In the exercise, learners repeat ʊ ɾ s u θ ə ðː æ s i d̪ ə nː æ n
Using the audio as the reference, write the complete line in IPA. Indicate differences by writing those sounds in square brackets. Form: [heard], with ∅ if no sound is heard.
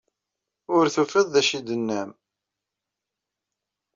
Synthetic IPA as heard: ʊ ɾ [θ] u [f] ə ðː æ [ʃ] i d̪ ə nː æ [m]

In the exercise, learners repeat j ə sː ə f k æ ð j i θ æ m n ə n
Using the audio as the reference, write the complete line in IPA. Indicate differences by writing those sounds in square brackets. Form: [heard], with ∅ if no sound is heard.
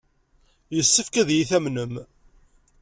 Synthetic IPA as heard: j ə sː ə f k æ ð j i θ æ m n ə [m]

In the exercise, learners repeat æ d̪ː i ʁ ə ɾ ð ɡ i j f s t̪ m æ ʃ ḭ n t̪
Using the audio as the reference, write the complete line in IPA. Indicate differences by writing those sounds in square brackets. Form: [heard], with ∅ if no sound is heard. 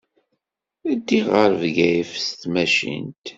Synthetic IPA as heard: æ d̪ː i ʁ ə ɾ [v] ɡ [æ] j f s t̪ m æ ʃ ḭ n t̪

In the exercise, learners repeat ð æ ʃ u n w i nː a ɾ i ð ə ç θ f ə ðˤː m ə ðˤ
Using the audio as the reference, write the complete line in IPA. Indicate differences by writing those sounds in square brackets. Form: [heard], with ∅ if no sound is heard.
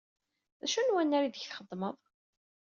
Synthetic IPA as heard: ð æ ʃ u n w [æ] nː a ɾ i ð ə ç θ [χ] ə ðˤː m ə ðˤ

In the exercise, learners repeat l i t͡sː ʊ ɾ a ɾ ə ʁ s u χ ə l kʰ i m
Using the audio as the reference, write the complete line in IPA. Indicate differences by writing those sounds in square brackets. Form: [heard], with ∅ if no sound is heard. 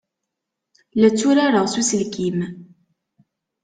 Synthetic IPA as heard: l [æ] t͡sː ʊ ɾ a ɾ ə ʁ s u [s] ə l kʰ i m

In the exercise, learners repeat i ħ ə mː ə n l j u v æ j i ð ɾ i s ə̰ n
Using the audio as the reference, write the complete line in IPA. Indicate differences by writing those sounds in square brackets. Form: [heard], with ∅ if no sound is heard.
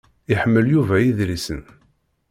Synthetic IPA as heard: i ħ ə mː ə [∅] l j u v æ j i ð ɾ i s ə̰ n

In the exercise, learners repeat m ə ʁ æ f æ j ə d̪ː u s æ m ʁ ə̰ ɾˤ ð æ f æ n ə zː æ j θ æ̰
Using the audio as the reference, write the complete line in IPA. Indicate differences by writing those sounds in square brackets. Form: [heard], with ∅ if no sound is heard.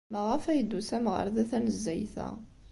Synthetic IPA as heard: m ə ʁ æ f æ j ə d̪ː u s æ m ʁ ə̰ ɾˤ ð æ [θ] æ n ə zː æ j θ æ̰

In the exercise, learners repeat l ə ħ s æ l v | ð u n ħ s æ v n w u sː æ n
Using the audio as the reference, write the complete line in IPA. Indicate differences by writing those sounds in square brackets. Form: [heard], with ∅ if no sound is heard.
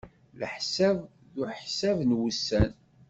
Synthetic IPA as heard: l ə ħ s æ [∅] v | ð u [∅] ħ s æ v n w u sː æ n

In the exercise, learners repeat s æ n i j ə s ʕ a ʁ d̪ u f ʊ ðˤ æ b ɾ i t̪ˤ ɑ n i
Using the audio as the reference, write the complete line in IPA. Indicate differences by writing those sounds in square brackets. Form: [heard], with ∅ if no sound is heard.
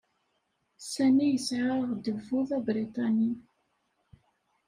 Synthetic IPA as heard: s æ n i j ə s ʕ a ʁ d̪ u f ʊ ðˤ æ b ɾ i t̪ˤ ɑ n i

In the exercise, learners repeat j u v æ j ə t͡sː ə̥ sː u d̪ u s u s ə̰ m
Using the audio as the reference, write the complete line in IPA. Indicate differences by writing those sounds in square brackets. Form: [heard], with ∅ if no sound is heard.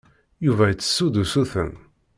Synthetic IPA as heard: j u v æ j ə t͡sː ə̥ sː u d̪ u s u [θ] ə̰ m

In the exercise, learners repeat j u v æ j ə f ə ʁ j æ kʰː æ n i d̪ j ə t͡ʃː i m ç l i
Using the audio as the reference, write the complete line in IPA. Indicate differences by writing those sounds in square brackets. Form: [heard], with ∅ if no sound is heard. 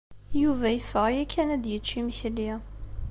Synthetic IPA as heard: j u v æ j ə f ə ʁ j æ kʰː æ n [æ] d̪ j ə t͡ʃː i m ç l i

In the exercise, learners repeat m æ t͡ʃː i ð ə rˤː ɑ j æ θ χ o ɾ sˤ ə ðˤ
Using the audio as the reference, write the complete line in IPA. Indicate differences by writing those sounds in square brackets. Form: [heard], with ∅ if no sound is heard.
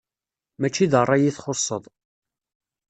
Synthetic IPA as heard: m æ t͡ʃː i ð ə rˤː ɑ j [i] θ χ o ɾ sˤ ə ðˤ

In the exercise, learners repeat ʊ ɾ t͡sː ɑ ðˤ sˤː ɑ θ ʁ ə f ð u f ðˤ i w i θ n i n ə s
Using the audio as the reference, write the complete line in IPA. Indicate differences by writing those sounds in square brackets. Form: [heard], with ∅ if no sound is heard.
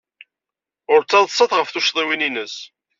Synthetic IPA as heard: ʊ ɾ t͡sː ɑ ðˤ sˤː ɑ θ ʁ ə f [θ] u [ʃ] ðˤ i w i [∅] n i n ə s

